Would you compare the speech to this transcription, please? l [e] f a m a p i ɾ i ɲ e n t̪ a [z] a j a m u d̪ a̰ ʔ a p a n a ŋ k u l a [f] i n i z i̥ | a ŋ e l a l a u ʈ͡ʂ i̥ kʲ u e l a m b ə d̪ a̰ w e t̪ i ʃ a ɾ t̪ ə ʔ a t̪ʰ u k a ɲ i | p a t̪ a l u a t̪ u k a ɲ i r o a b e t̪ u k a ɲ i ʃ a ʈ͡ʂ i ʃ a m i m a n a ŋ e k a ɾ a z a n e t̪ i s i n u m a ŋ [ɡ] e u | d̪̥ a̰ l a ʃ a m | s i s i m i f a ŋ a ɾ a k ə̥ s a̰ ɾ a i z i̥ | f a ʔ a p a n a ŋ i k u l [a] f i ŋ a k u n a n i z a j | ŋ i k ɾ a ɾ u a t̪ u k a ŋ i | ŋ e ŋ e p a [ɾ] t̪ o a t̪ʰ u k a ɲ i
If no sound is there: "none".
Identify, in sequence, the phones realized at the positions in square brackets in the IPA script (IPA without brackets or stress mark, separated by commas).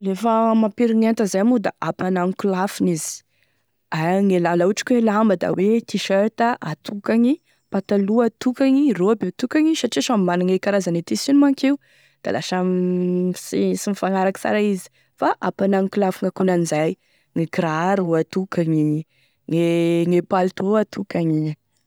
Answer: e, z, f, k, a, l